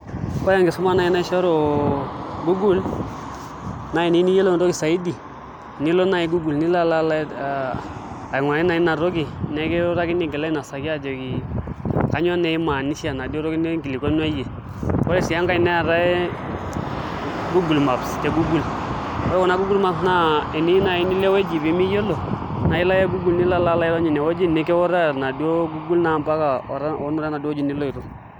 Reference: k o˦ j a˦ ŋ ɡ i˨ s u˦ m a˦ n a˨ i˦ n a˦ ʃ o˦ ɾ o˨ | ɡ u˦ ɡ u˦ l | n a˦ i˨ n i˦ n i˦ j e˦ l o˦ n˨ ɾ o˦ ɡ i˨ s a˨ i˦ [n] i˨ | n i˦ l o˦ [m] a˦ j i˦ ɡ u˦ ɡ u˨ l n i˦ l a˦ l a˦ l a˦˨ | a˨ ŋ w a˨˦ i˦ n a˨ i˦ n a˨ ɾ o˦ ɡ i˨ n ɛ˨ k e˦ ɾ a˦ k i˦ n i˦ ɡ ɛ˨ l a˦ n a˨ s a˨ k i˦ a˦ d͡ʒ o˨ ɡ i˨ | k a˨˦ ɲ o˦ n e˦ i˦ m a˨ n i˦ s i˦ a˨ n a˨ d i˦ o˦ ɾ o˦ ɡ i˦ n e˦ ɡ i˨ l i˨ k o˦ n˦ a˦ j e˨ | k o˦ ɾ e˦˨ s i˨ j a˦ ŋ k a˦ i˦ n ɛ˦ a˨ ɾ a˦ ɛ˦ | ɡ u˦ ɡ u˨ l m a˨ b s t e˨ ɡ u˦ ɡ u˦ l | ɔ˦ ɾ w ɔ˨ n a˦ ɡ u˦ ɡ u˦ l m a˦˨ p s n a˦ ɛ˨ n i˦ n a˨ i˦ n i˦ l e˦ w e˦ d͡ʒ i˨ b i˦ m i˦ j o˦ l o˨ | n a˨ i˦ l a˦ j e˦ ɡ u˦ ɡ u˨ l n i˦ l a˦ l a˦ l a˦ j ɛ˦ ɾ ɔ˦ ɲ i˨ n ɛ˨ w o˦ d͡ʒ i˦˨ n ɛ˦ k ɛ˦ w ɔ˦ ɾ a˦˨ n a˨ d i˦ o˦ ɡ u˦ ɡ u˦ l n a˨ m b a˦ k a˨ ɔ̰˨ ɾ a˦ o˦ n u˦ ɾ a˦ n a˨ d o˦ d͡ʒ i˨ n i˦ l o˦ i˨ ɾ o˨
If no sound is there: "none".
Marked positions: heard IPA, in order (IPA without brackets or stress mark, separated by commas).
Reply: d, n